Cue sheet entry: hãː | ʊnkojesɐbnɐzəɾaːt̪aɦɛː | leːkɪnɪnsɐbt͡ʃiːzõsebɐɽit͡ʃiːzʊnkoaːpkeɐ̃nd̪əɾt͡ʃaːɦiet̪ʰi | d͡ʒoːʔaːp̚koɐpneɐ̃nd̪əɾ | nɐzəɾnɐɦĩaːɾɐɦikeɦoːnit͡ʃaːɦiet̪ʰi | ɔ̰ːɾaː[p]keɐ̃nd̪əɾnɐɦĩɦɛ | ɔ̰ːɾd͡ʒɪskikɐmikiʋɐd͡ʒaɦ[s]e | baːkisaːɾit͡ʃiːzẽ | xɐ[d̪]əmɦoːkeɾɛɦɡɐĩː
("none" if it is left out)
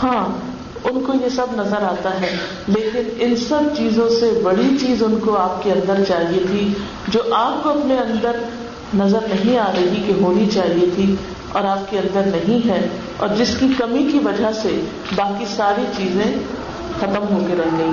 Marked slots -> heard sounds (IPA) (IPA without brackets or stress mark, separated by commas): p, s, t̪